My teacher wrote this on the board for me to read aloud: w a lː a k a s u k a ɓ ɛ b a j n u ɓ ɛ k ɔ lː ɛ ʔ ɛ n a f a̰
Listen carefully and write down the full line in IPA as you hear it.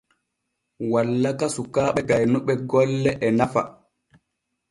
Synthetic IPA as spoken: w a lː a k a s u k a ɓ ɛ ɡ a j n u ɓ ɛ ɡ ɔ lː ɛ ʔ ɛ n a f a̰